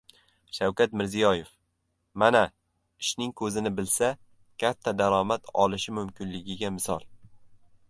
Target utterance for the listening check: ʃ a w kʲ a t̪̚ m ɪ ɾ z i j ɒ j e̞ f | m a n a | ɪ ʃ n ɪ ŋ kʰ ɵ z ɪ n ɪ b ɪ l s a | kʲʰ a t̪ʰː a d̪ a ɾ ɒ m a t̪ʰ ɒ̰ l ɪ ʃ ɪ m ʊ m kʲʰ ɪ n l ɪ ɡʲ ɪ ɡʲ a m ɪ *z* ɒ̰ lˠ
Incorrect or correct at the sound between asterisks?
incorrect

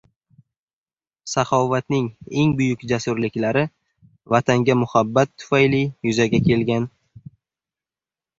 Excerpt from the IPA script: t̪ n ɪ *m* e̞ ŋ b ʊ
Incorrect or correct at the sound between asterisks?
incorrect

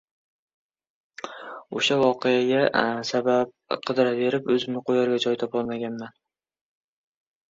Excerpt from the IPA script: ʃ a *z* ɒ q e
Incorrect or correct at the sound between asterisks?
incorrect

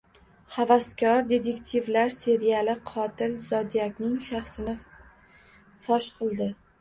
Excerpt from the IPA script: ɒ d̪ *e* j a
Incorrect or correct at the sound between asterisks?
incorrect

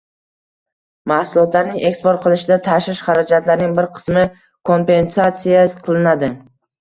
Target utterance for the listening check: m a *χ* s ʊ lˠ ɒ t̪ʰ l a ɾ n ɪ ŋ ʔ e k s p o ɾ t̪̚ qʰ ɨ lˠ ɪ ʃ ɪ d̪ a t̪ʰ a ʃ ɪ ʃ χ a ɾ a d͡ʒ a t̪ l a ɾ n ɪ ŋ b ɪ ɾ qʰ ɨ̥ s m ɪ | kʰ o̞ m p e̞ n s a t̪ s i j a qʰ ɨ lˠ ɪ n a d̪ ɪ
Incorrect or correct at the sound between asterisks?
incorrect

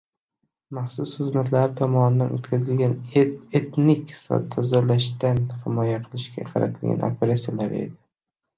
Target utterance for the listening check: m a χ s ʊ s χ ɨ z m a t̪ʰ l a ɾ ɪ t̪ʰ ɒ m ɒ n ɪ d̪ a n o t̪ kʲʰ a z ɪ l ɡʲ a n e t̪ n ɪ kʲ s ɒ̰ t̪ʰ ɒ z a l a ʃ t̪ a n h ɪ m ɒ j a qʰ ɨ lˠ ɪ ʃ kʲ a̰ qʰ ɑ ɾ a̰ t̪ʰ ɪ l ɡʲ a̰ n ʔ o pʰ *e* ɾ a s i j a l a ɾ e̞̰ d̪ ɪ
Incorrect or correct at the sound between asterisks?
correct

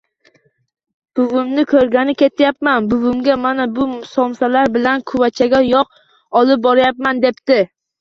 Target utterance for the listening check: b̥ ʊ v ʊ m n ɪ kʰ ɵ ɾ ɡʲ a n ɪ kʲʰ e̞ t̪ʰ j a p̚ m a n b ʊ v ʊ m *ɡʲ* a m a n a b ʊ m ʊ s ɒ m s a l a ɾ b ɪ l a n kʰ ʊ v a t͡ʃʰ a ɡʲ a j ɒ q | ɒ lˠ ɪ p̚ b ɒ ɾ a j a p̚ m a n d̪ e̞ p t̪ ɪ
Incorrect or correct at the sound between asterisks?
correct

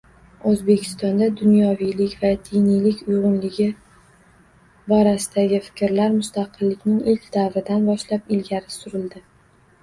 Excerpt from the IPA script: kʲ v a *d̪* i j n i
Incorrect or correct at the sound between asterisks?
correct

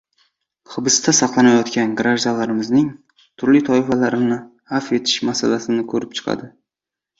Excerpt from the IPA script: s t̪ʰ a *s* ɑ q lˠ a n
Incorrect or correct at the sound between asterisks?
correct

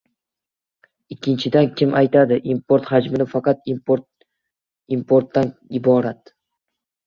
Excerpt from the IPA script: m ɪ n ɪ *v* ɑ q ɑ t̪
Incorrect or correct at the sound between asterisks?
incorrect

